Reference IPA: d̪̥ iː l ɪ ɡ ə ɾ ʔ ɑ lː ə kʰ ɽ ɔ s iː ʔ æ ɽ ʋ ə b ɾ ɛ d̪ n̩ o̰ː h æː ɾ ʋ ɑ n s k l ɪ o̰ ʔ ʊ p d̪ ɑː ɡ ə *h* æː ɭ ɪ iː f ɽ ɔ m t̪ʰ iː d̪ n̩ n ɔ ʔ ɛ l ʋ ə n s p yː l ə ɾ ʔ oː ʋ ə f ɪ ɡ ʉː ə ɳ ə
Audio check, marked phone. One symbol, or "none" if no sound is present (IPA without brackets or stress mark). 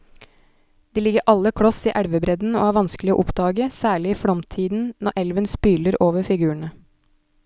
s